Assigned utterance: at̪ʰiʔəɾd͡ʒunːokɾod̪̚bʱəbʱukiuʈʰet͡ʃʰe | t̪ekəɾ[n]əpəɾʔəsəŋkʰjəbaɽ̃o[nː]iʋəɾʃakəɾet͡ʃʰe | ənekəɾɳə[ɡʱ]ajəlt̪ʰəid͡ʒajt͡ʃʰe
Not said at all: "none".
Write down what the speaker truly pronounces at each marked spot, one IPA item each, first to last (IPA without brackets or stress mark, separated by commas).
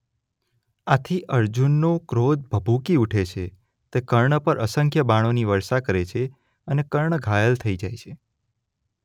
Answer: ɳ, n, ɡʱ